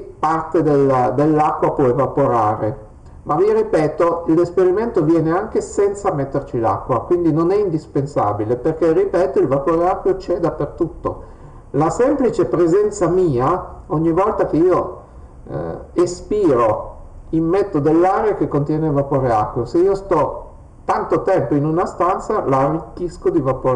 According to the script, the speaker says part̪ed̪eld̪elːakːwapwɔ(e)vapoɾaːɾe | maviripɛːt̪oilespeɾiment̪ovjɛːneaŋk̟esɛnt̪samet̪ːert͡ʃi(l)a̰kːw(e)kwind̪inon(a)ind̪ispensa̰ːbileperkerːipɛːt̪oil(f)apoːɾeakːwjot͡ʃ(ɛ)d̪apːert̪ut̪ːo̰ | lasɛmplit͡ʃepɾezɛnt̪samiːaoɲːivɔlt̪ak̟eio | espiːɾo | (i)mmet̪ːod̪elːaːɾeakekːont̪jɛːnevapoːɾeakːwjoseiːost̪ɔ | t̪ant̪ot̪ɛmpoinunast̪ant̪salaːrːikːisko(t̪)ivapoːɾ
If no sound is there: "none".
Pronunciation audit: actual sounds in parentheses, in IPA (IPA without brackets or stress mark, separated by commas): e, l, a, ɛ, v, ɛ, i, d̪